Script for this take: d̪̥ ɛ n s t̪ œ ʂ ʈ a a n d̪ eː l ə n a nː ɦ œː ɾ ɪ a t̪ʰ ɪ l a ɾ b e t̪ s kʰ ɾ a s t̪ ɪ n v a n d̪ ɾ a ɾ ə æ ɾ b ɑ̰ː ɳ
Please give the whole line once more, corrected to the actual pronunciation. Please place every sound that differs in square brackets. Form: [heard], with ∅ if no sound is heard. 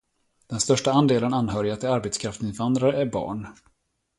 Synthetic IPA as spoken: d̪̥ ɛ n s t̪ œ ʂ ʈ a a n d̪ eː l ə n a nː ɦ œː ɾ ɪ a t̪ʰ ɪ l a ɾ b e t̪ s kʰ ɾ a [f] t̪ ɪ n v a n d̪ ɾ a ɾ ə æ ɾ b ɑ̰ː ɳ